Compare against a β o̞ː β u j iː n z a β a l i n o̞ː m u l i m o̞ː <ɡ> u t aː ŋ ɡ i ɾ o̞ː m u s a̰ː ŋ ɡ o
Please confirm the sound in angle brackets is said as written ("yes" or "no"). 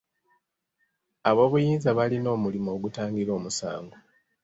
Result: yes